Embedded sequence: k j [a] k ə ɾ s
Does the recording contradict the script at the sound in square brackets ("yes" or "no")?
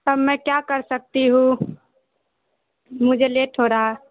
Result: no